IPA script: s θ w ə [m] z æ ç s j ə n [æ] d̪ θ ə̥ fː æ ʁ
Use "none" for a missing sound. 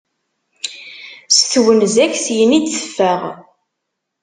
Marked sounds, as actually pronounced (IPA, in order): n, i

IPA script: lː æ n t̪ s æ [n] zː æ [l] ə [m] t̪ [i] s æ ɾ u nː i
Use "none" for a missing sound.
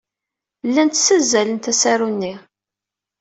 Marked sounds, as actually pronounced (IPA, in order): none, l, n, æ

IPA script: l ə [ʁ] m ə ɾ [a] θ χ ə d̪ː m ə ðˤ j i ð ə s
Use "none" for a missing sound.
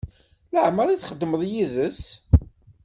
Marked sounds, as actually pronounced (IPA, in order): ʕ, i

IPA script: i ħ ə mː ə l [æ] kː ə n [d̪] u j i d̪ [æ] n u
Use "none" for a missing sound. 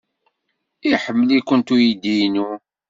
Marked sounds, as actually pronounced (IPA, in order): i, t̪, i

